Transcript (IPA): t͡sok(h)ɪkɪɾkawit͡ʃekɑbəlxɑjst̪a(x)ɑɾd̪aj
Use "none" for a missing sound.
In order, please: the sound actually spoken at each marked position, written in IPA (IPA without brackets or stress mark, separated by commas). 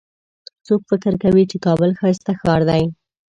f, x